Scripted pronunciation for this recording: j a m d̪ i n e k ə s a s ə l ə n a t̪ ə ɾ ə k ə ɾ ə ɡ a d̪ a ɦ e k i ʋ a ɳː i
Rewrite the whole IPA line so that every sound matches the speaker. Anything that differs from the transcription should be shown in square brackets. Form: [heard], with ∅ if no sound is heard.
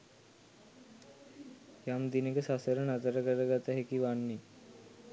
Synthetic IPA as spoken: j a m d̪ i n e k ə s a s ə [ɾ] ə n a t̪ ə ɾ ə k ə ɾ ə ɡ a [t̪] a ɦ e k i ʋ a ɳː i